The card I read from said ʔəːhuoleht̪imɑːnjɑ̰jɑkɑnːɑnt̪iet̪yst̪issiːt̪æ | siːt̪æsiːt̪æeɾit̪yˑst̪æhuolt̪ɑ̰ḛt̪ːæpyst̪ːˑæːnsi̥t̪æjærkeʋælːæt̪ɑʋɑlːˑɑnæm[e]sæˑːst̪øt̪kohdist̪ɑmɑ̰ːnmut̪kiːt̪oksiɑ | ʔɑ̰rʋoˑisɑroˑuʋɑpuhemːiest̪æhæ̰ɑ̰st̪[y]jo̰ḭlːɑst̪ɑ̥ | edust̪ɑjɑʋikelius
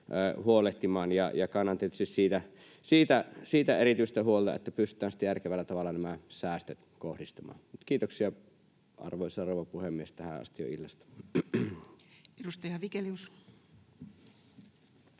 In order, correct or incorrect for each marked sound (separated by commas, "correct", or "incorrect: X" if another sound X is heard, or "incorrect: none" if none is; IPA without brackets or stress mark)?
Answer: incorrect: æ, incorrect: i